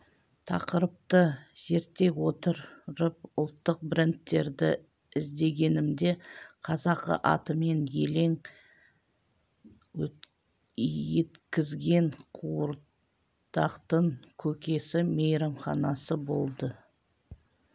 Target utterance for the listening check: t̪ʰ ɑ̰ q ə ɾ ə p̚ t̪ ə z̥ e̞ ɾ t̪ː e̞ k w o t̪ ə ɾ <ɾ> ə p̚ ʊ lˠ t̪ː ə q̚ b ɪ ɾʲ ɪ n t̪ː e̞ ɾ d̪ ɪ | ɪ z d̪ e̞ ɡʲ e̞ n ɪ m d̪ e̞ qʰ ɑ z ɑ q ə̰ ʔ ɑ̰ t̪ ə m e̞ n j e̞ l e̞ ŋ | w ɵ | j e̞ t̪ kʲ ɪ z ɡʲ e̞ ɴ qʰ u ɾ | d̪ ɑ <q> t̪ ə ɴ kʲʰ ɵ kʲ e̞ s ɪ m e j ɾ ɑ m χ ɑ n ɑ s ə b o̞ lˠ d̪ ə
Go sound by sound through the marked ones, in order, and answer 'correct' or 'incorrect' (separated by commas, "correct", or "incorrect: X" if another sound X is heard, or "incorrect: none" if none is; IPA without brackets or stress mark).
correct, correct